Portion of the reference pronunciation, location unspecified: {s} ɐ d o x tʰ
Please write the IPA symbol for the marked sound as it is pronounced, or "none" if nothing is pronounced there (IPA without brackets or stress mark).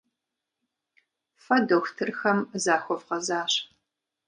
f